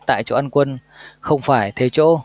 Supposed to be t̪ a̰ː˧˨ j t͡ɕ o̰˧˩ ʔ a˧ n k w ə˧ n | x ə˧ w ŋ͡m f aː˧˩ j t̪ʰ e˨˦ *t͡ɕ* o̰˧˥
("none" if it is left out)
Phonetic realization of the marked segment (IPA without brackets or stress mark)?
t͡ɕ